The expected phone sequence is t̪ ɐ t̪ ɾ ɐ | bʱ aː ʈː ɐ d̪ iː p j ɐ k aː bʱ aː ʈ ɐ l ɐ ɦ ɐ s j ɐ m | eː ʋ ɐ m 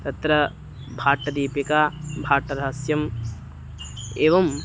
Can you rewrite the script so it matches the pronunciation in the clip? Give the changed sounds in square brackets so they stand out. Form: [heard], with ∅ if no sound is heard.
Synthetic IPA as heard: t̪ ɐ t̪ ɾ ɐ | bʱ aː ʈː ɐ d̪ iː p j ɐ k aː bʱ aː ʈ ɐ [ɾ] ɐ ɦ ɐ s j ɐ m | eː ʋ ɐ m

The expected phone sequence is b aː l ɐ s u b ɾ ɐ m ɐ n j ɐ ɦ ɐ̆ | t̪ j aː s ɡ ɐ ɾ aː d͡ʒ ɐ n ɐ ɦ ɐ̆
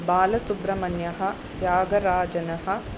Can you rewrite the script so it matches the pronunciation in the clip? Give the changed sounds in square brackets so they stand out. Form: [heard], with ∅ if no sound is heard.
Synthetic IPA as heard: b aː l ɐ s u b ɾ ɐ m ɐ n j ɐ ɦ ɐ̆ | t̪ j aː [∅] ɡ ɐ ɾ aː d͡ʒ ɐ n ɐ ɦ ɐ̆

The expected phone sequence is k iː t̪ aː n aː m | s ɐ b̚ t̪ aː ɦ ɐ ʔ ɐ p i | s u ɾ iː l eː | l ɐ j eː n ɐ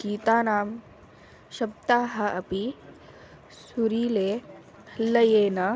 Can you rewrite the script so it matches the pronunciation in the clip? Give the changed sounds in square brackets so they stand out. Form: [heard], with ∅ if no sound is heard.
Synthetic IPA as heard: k iː t̪ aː n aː m | [ʃ] ɐ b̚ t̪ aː ɦ ɐ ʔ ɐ p i | s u ɾ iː l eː | l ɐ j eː n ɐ

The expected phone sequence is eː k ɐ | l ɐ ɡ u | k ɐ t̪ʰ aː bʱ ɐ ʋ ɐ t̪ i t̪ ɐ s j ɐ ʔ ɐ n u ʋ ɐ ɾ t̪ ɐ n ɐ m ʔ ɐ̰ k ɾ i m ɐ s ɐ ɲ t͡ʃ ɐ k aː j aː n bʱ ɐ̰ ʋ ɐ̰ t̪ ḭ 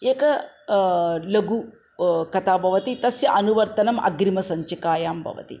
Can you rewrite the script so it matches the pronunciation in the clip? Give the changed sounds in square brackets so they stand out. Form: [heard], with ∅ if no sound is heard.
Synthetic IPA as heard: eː k ɐ | l ɐ ɡ u | k ɐ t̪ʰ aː bʱ ɐ ʋ ɐ t̪ i t̪ ɐ s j ɐ ʔ ɐ n u ʋ ɐ ɾ t̪ ɐ n ɐ m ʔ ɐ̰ [ɡ] ɾ i m ɐ s ɐ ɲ t͡ʃ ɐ k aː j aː [m] bʱ ɐ̰ ʋ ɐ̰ t̪ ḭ

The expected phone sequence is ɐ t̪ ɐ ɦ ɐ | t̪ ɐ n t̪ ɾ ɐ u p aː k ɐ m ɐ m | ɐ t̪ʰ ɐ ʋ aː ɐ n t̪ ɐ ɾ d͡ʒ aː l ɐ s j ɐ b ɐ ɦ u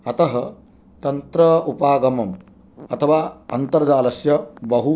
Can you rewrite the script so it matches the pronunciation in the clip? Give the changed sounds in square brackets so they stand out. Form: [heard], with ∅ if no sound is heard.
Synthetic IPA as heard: ɐ t̪ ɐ ɦ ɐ | t̪ ɐ n t̪ ɾ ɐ u p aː [ɡ] ɐ m ɐ m | ɐ t̪ʰ ɐ ʋ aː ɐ n t̪ ɐ ɾ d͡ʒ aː l ɐ s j ɐ b ɐ ɦ u

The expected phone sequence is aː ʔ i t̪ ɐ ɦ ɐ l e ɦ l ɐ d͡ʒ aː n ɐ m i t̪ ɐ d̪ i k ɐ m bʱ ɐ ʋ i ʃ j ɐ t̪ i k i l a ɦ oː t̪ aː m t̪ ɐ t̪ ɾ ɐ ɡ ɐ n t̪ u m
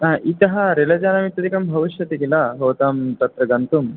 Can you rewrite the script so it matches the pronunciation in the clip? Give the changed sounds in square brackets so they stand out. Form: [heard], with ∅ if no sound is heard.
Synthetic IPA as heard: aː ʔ i t̪ ɐ ɦ ɐ [ɾ] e [∅] l ɐ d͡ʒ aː n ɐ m i t̪ ɐ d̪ i k ɐ m bʱ ɐ ʋ i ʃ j ɐ t̪ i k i l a ɦ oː t̪ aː m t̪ ɐ t̪ ɾ ɐ ɡ ɐ n t̪ u m

